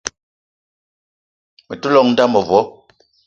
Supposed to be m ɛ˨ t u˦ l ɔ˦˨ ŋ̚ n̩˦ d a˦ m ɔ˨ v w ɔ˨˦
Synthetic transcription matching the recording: m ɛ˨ t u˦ l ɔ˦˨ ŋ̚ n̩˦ d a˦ m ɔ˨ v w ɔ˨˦